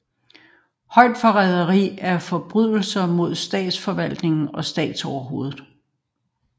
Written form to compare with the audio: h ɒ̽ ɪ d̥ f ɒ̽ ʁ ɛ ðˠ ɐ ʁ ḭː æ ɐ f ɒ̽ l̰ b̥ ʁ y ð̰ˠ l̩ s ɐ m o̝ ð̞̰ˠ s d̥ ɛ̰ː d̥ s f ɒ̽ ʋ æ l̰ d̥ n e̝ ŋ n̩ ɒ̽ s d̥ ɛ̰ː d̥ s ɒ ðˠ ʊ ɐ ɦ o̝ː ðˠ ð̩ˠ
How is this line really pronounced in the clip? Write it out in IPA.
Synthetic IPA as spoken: h ɒ̽ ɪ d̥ f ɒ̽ ʁ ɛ ðˠ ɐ ʁ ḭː æ ɐ f ɒ̽ b̥ ʁ y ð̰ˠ l̩ s ɐ m o̝ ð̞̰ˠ s d̥ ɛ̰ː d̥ s f ɒ̽ ʋ æ l̰ d̥ n e̝ ŋ n̩ ɒ̽ s d̥ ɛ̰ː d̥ s ɒ ʊ ɐ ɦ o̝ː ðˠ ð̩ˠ